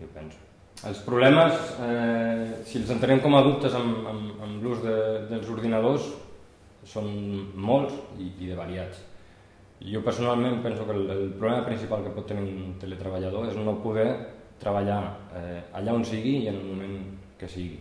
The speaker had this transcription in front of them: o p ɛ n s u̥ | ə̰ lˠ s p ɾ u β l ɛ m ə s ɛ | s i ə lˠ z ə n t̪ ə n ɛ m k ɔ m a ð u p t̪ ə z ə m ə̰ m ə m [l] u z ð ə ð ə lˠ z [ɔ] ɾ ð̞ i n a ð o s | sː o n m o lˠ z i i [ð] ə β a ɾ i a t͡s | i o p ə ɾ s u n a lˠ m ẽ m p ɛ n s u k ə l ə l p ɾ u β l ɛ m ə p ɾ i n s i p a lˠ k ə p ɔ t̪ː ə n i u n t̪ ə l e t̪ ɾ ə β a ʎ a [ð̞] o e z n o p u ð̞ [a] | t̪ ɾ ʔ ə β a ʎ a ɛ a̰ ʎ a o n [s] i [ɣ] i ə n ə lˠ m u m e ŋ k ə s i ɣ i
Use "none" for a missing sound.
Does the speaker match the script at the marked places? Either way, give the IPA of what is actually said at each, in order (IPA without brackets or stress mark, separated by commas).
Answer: l, u, ð, ð̞, ɛ, s, ɣ